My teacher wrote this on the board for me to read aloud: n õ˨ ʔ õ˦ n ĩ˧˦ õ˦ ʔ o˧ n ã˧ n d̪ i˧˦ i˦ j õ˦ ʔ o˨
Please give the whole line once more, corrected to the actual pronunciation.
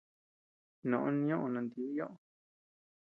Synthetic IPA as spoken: n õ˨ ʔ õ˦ n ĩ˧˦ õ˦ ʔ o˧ n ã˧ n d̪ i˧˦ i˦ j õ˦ ʔ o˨